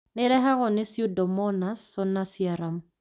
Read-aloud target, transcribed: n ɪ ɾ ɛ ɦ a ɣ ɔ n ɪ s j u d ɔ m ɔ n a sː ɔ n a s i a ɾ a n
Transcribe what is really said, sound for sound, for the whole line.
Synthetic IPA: n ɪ ɾ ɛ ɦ a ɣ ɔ n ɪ s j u d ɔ m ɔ n a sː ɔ n a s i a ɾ a m